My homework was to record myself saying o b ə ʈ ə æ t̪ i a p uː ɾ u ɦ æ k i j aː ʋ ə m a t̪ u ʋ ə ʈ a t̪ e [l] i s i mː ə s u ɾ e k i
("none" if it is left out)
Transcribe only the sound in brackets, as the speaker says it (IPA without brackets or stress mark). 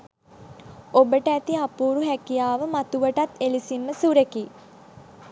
l